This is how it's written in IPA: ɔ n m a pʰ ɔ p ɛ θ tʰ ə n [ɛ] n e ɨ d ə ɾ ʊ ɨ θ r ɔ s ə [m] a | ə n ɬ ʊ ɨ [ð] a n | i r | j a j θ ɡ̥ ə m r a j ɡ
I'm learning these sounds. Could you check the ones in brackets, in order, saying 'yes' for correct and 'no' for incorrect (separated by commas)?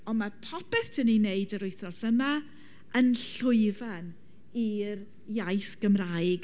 no, yes, no